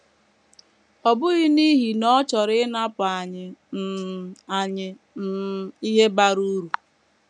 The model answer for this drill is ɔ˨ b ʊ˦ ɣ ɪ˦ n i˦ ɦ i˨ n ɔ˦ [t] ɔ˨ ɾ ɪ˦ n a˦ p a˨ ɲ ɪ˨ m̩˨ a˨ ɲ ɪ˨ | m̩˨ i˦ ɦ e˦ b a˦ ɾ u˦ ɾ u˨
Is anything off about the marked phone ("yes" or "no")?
yes